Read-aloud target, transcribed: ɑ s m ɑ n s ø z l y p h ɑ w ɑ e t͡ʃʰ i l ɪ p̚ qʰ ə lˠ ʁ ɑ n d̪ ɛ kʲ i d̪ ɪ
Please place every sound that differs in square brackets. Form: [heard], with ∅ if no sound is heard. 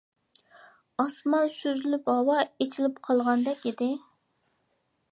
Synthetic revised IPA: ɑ s m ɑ n s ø z l y p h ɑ w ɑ e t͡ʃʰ i l ɪ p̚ qʰ [ɑ] lˠ ʁ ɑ n d̪ ɛ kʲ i d̪ ɪ